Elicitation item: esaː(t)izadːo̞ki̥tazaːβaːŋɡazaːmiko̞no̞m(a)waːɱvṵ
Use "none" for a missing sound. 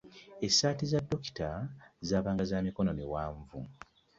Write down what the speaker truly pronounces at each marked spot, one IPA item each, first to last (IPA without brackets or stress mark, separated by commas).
t, i